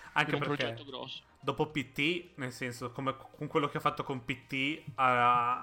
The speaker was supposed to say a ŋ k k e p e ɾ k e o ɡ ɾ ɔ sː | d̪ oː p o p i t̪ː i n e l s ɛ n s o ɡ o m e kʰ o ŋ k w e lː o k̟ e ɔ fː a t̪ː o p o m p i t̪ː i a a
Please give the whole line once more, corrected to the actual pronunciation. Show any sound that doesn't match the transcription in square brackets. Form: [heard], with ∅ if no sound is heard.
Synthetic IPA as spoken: a ŋ k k e p e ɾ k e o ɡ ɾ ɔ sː | d̪ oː p o p i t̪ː i n e l s ɛ n s o [k] o m e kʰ o ŋ k w e lː o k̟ e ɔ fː a t̪ː o [k] o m p i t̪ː i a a